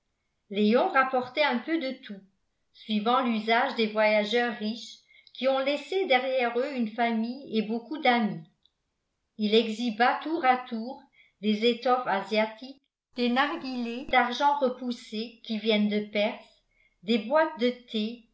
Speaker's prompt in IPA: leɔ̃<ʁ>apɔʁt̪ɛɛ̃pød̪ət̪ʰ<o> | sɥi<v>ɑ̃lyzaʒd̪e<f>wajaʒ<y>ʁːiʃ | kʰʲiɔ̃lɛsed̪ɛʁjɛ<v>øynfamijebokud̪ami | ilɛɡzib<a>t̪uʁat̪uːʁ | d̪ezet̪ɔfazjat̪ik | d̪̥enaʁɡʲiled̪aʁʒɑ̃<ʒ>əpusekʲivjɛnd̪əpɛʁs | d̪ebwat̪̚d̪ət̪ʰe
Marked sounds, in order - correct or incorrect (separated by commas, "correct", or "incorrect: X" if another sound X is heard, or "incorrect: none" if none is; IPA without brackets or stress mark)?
correct, incorrect: u, correct, incorrect: v, incorrect: œ, incorrect: ʁ, correct, incorrect: ʁ